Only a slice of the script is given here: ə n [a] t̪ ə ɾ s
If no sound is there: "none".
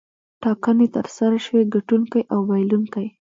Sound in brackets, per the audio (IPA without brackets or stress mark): e